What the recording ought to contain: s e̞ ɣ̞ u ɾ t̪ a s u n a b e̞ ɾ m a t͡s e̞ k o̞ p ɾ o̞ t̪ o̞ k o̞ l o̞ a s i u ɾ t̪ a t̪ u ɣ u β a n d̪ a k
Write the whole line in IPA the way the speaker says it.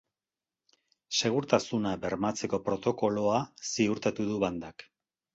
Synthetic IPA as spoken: s e̞ ɣ̞ u ɾ t̪ a s u n a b e̞ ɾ m a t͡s e̞ k o̞ p ɾ o̞ t̪ o̞ k o̞ l o̞ a s i u ɾ t̪ a t̪ u ð u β a n d̪ a k

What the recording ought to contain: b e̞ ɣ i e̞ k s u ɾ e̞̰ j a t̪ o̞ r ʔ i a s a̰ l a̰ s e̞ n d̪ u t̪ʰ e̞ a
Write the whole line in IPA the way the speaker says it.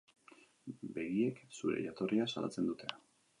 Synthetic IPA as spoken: b e̞ ɣ i e̞ k s u ɾ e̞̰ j a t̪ o̞ r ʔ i a s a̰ l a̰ t͡s e̞ n d̪ u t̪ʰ e̞ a

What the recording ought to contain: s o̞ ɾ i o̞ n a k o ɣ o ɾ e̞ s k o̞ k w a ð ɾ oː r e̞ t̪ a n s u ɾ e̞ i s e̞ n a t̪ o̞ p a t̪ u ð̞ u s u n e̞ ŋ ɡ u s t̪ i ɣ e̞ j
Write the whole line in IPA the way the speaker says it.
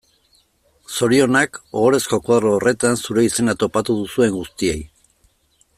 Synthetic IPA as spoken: s o̞ ɾ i o̞ n a k o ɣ o ɾ e̞ s k o̞ k w a ð ɾ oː r e̞ t̪ a n s u ɾ e̞ i s e̞ n a t̪ o̞ p a t̪ u ð̞ u s u e̞ ŋ ɡ u s t̪ i e̞ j

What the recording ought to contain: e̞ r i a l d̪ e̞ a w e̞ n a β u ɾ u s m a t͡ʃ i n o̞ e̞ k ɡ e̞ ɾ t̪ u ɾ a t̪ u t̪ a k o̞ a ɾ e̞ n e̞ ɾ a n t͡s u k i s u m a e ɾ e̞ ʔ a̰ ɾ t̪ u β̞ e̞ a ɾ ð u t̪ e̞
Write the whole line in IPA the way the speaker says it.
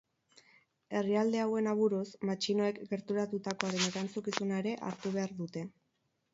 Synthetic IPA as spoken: e̞ r i a l d̪ e̞ a w e̞ n a β u ɾ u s m a t͡ʃ i n o̞ e̞ k ɡ e̞ ɾ t̪ u ɾ a t̪ u t̪ a k o̞ a ɾ e̞ n e̞ ɾ a n t͡s u k i s u n a e ɾ e̞ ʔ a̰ ɾ t̪ u β̞ e̞ a ɾ ð u t̪ e̞

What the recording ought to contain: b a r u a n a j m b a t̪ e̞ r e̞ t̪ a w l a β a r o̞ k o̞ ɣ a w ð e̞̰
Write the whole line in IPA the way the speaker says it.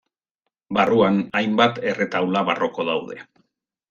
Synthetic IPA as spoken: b a r u a n a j m b a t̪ e̞ r e̞ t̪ a w l a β a r o̞ k o̞ ð a w ð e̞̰

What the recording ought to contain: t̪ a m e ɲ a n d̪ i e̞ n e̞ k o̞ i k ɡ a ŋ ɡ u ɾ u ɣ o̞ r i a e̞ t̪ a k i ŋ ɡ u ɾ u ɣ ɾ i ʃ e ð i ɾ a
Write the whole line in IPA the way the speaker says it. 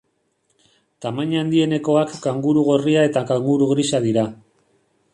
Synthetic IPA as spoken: t̪ a m a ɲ a n d̪ i e̞ n e̞ k o̞ a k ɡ a ŋ ɡ u ɾ u ɣ o̞ r i a e̞ t̪ a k a ŋ ɡ u ɾ u ɣ ɾ i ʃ a ð i ɾ a

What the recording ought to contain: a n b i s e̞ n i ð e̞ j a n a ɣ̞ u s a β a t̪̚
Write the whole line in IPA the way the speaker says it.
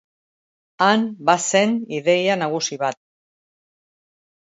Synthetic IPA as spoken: a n b a s e̞ n i ð e̞ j a n a ɣ̞ u s i β a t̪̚

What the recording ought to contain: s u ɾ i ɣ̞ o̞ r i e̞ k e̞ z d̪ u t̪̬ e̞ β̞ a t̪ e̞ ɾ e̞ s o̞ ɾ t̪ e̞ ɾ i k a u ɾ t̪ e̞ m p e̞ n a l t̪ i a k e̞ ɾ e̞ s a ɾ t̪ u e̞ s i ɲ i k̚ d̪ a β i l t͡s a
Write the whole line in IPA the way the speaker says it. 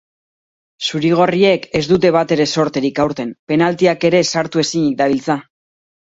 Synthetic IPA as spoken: s u ɾ i ɣ̞ o̞ r i e̞ k e̞ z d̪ u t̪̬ e̞ β̞ a t̪ e̞ ɾ e̞ s o̞ ɾ t̪ e̞ ɾ i k a w ɾ t̪ e̞ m p e̞ n a l t̪ i a k e̞ ɾ e̞ s a ɾ t̪ u e̞ s i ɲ i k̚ d̪ a β i l t͡s a

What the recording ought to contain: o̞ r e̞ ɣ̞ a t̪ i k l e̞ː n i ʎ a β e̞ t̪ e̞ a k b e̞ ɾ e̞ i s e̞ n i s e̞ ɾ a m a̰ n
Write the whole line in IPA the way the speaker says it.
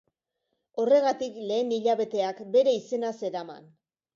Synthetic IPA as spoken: o̞ r e̞ ɣ̞ a t̪ i k l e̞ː n i ʎ a β e̞ t̪ e̞ a k b e̞ ɾ e̞ i s e̞ n a s e̞ ɾ a m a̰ n

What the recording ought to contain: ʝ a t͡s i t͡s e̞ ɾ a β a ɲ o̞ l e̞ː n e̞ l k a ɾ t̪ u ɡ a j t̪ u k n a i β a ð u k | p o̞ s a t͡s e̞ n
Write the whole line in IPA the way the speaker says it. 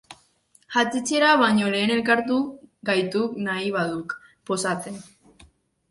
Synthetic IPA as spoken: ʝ a t͡s i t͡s e̞ ɾ a β a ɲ o̞ l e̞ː n e̞ l k a ɾ t̪ u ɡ a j t̪ u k n a i β a ð u k | p o̞ s a t͡s e̞ n

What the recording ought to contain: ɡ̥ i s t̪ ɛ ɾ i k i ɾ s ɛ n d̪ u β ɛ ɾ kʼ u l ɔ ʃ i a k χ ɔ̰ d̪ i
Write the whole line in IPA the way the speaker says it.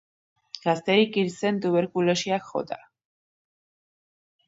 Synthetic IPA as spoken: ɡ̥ a s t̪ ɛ ɾ i k i ɾ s ɛ n t̪ u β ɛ ɾ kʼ u l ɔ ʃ i a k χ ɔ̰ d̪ a

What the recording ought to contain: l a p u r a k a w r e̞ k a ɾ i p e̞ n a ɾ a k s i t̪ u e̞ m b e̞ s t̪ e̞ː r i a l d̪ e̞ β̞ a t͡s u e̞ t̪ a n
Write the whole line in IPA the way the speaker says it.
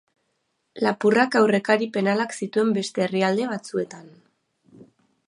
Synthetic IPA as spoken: l a p u r a k a w r e̞ k a ɾ i p e̞ n a l a k s i t̪ u e̞ m b e̞ s t̪ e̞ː r i a l d̪ e̞ β̞ a t͡s u e̞ t̪ a n

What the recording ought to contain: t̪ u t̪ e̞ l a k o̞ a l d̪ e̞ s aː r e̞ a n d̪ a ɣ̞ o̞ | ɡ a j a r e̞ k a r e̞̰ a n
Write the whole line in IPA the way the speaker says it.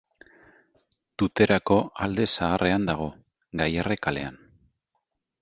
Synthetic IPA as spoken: t̪ u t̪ e̞ ɾ a k o̞ a l d̪ e̞ s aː r e̞ a n d̪ a ɣ̞ o̞ | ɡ a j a r e̞ k a l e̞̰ a n

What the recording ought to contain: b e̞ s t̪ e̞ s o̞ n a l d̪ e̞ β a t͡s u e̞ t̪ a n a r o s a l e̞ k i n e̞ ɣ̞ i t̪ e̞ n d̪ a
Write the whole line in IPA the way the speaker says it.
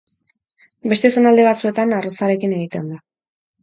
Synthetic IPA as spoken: b e̞ s t̪ e̞ s o̞ n a l d̪ e̞ β a t͡s u e̞ t̪ a n a r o s a ɾ e̞ k i n e̞ ɣ̞ i t̪ e̞ n d̪ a

